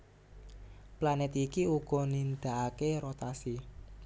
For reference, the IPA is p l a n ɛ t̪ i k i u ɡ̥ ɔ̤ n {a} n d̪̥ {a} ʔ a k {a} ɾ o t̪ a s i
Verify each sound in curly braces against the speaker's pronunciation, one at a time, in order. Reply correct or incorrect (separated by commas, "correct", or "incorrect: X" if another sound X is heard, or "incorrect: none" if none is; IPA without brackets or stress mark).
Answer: incorrect: i, correct, incorrect: e